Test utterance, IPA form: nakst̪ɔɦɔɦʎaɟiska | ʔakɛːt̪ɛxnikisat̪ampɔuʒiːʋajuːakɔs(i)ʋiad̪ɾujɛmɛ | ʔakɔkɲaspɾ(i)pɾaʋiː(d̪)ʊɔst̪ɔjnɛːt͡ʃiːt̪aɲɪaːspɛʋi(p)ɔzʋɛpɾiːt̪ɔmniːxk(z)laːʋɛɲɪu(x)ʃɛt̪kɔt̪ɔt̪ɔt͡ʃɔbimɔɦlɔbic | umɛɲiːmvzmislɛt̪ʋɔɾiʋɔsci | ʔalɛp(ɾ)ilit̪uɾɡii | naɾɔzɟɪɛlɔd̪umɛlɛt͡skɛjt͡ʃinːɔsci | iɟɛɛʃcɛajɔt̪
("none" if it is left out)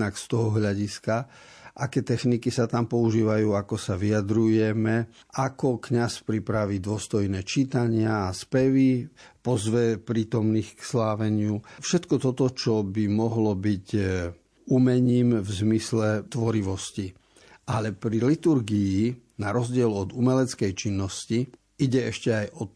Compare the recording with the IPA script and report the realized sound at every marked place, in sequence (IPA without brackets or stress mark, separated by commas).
a, i, d̪, p, s, f, ɾ